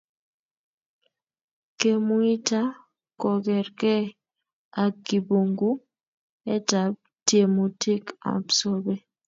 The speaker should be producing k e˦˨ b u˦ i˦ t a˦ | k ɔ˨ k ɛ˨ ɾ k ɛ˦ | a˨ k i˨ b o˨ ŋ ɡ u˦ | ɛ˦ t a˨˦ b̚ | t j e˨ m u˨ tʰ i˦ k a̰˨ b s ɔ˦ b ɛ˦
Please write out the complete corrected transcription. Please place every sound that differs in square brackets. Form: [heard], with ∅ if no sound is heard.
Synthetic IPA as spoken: k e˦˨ [m] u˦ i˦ t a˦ | k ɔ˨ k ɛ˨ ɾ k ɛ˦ | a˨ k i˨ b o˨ ŋ ɡ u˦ | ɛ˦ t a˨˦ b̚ | t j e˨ m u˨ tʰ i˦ k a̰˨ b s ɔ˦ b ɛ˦